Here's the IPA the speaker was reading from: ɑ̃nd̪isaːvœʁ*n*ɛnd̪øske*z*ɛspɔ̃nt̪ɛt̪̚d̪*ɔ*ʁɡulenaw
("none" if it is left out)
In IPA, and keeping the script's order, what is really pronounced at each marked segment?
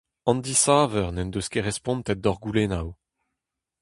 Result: n, ʁ, ɔ

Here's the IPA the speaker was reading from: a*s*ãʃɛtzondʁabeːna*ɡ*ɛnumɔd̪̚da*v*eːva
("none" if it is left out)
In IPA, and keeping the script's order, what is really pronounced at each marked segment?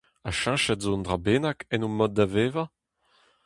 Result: ʃ, k, v

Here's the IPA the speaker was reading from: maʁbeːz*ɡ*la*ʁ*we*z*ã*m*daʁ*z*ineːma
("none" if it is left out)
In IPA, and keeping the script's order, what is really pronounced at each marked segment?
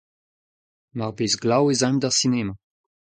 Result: ɡ, none, z, m, s

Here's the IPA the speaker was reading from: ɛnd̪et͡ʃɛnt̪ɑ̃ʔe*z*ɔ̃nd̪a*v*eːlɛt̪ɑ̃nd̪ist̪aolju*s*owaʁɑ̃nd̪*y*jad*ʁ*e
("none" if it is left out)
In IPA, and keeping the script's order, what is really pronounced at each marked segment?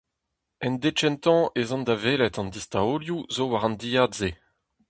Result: z, v, z, i, z

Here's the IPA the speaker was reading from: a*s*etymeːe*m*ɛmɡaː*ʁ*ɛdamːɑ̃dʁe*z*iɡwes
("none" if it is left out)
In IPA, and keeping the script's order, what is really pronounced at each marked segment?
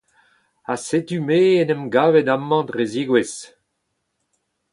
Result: s, n, v, z

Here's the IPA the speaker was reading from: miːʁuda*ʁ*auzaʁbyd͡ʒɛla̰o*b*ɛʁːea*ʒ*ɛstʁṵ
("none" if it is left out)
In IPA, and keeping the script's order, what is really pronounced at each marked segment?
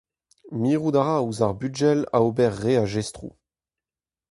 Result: ʁ, b, ʒ

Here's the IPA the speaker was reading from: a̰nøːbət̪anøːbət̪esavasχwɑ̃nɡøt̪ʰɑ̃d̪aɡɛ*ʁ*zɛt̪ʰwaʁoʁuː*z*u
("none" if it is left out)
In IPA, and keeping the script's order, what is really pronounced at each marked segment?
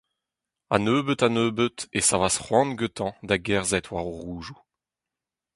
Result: ʁ, ʒ

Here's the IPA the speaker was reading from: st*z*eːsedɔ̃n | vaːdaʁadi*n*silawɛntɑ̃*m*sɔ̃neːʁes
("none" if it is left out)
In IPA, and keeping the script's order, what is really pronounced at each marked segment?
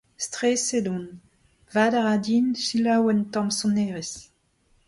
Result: ʁ, n, m

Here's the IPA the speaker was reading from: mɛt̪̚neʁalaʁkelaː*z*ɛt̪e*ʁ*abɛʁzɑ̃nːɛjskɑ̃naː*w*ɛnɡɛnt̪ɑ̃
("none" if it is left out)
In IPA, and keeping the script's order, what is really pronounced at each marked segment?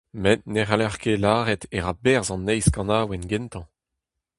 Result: ʁ, ʁ, w

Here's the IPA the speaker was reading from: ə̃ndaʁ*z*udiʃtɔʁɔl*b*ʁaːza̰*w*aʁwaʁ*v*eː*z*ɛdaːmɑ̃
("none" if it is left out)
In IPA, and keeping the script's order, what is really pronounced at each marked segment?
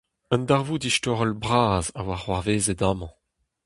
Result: v, b, w, v, z

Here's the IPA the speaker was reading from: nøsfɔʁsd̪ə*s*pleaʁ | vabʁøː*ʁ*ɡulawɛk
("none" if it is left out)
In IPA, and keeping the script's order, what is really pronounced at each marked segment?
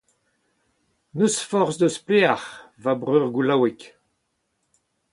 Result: s, ʁ

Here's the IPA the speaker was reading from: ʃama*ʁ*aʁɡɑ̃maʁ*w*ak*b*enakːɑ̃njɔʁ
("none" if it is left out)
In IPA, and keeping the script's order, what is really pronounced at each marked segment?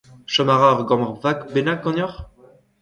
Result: ʁ, v, b

